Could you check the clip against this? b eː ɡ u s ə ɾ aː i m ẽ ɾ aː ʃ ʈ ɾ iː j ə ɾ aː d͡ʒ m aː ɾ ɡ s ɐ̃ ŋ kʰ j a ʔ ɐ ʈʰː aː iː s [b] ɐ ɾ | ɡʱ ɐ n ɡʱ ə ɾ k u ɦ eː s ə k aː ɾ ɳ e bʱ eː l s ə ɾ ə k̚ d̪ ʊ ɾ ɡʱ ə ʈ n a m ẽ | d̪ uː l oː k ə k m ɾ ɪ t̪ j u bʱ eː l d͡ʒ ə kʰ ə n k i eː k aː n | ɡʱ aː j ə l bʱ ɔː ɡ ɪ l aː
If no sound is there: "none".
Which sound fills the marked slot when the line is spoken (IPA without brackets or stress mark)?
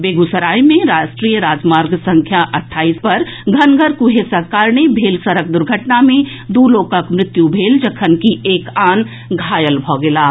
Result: p